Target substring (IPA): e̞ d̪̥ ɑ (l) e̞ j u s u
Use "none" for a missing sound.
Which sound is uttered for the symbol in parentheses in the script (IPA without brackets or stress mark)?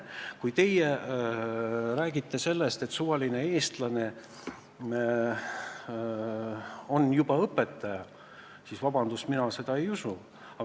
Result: none